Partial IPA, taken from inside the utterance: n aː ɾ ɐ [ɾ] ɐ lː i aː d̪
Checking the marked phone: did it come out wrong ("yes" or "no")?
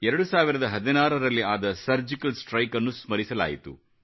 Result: no